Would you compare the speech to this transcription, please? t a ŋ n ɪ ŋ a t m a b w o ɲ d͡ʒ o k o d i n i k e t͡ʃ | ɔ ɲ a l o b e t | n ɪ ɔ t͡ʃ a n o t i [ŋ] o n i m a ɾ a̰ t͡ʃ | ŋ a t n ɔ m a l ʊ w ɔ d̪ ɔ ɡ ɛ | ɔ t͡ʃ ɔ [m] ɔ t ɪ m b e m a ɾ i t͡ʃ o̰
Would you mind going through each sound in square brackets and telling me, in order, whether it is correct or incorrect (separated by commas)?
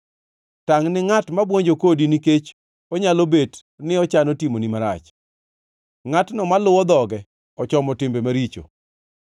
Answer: incorrect, correct